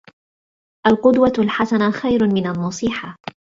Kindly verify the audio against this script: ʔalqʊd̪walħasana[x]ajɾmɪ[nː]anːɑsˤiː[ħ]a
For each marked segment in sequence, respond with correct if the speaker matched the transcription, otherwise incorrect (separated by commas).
correct, incorrect, correct